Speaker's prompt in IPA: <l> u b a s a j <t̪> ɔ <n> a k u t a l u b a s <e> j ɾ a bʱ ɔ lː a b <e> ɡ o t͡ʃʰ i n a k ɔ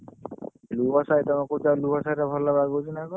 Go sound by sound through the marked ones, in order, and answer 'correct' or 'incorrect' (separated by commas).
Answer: correct, correct, incorrect, incorrect, incorrect